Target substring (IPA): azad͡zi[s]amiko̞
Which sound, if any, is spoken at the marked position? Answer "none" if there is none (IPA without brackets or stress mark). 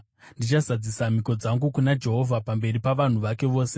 s